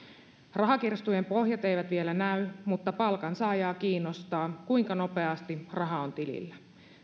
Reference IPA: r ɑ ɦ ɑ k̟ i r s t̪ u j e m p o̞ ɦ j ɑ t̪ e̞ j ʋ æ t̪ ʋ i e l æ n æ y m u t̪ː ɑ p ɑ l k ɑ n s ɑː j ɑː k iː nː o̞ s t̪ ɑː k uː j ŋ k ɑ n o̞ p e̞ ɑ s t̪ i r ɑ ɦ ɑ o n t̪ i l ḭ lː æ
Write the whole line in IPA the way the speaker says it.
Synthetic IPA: r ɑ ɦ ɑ k̟ i r s t̪ u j e m p o̞ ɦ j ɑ t̪ e̞ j ʋ æ t̪ ʋ i e l æ n æ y m u t̪ː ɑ p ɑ l k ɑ n s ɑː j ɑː k iː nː o̞ s t̪ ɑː k u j ŋ k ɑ n o̞ p e̞ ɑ s t̪ i r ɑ ɦ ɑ o n t̪ i l ḭ lː æ

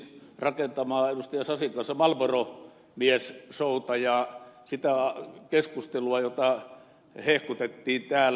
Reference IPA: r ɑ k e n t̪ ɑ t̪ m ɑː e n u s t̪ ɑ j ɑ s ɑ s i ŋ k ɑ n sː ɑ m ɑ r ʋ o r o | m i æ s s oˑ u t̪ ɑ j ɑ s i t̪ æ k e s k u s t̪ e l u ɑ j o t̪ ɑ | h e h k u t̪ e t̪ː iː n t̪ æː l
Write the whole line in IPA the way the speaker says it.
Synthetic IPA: r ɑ k e n t̪ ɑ m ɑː e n u s t̪ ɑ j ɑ s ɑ s i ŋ k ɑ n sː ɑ m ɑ l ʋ o r o | m i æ s s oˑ u t̪ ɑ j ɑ s i t̪ æ k e s k u s t̪ e l u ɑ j o t̪ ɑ | h e h k u t̪ e t̪ː iː n t̪ æː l

